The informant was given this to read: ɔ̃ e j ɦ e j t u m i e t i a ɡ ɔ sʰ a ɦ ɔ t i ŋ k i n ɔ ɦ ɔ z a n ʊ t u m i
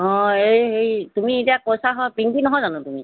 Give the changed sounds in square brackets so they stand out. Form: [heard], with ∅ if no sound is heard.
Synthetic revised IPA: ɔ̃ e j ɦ e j t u m i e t i a [k] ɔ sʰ a ɦ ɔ [p] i ŋ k i n ɔ ɦ ɔ z a n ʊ t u m i